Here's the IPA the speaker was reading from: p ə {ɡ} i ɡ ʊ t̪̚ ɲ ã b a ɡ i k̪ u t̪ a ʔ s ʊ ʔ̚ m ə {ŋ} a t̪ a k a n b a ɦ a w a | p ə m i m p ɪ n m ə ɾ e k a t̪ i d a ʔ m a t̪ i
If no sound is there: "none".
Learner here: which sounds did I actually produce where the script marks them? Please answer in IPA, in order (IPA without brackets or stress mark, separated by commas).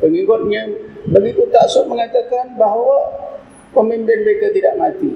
ŋ, ŋ